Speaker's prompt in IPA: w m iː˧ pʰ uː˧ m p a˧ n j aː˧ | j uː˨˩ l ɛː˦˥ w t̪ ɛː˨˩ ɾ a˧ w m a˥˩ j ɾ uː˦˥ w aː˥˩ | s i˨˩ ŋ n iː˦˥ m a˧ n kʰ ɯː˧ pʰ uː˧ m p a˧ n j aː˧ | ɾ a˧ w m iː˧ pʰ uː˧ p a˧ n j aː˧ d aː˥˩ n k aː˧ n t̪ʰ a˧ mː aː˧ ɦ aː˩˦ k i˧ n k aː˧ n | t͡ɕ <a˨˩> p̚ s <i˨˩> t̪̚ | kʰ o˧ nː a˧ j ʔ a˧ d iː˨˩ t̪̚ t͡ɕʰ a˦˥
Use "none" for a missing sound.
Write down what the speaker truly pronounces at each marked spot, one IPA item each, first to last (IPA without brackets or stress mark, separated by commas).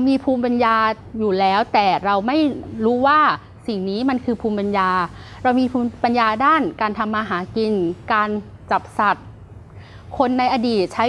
a˨˩, a˨˩